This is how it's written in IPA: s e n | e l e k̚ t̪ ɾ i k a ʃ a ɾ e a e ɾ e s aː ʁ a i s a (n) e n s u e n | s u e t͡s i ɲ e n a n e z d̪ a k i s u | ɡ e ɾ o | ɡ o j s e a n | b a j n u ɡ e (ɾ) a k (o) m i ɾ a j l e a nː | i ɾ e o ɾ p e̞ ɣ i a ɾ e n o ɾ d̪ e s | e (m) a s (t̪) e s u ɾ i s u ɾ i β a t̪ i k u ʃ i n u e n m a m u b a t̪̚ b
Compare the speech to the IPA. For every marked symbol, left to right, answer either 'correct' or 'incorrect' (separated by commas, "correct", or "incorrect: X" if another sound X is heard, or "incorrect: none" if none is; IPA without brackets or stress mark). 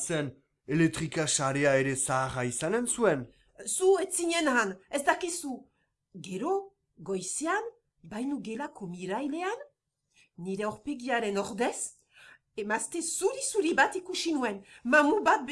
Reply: correct, incorrect: l, correct, correct, correct